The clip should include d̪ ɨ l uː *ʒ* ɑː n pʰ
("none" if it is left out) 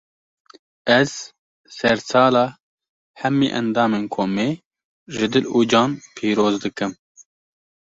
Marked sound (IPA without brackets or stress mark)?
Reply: d͡ʒ